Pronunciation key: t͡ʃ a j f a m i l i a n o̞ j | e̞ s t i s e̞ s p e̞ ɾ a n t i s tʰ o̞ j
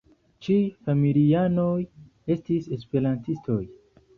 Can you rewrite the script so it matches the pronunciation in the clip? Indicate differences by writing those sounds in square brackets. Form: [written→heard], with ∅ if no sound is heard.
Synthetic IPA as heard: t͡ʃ [a→i] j f a m i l i a n o̞ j | e̞ s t i s e̞ s p e̞ ɾ a n t i s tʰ o̞ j